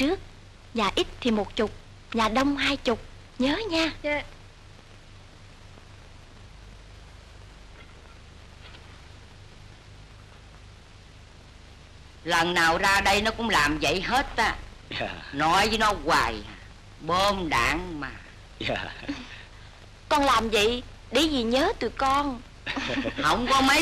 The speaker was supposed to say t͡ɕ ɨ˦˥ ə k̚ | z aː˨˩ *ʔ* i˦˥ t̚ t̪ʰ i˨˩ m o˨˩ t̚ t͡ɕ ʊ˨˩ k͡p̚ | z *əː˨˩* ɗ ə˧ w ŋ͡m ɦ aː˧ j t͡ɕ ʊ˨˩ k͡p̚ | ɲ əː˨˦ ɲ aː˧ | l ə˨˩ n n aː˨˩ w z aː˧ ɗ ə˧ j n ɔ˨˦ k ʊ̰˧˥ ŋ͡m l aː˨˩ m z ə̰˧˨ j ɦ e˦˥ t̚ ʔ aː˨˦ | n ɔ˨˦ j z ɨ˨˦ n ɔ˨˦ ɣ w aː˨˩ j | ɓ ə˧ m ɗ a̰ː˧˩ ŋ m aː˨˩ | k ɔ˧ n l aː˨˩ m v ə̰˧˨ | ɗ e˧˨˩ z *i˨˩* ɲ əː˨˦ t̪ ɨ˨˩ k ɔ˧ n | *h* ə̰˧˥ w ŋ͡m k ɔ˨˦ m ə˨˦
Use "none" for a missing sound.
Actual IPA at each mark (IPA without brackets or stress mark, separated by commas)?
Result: ʔ, aː˨˩, i˨˩, h